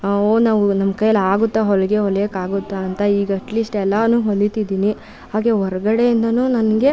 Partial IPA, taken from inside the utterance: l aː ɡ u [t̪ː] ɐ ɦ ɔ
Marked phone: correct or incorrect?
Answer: correct